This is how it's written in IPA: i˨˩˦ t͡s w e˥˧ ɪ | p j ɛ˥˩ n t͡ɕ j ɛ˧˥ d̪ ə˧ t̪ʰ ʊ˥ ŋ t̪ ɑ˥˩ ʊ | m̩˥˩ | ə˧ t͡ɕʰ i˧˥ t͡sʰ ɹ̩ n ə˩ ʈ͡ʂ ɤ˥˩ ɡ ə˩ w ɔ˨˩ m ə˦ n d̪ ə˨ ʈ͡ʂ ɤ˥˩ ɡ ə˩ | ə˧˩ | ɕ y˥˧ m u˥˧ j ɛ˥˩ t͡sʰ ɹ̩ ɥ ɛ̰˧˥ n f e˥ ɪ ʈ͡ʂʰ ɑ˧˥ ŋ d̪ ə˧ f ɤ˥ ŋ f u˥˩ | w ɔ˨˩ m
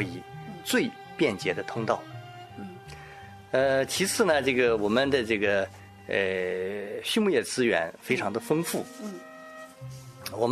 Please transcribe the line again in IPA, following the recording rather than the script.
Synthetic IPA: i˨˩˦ t͡s w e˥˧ ɪ | p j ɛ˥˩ n t͡ɕ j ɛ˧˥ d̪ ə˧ t̪ʰ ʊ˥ ŋ t̪ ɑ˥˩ ʊ | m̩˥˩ | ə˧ t͡ɕʰ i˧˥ t͡sʰ ɹ̩ n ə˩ ʈ͡ʂ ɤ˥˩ ɡ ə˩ w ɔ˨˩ m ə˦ n d̪ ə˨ ʈ͡ʂ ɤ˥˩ ɡ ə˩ | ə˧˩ | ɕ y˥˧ m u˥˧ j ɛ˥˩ t͡s ɹ̩ ɥ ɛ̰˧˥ n f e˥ ɪ ʈ͡ʂʰ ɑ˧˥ ŋ d̪ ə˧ f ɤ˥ ŋ f u˥˩ | w ɔ˨˩ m